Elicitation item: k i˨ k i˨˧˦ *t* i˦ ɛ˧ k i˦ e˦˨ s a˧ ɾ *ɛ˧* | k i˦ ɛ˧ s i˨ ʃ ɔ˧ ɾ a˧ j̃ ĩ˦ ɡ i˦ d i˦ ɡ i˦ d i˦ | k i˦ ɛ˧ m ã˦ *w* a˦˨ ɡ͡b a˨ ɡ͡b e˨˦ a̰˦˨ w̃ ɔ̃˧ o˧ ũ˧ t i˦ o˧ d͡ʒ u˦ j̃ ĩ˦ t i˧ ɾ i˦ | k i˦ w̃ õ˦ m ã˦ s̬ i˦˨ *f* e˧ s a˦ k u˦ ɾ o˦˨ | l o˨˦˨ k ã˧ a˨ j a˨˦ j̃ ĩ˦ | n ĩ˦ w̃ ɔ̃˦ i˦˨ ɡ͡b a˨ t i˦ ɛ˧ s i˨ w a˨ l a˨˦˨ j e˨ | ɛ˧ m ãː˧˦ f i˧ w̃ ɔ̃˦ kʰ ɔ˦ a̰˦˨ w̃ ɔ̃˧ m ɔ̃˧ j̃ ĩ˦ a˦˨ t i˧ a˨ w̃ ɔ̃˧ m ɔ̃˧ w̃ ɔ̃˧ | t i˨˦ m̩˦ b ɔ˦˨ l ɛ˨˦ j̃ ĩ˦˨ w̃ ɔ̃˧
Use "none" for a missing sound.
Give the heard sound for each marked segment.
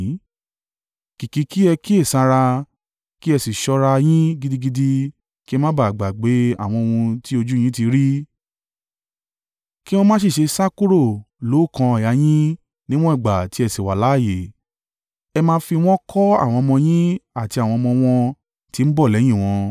k, a˧, b, ʃ

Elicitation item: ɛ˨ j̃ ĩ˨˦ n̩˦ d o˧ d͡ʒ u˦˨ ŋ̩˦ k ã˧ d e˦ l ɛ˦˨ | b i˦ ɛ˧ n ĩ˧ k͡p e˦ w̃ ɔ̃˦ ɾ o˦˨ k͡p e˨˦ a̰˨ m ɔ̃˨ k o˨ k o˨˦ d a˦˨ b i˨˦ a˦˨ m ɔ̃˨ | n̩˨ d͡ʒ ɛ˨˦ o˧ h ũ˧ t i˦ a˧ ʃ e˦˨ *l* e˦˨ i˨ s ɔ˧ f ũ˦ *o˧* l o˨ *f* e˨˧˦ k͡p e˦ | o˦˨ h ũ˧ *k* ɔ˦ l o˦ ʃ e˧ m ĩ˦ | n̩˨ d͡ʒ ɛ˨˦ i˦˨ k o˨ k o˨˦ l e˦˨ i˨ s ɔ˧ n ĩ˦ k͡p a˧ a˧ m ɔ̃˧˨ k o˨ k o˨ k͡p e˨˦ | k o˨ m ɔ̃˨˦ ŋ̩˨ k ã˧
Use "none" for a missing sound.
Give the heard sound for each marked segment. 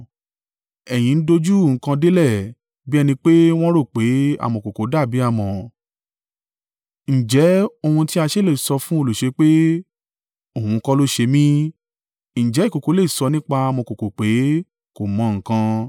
l, o˧, ʃ, k

